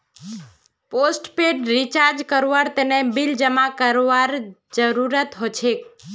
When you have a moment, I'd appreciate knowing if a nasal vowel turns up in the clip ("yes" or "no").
no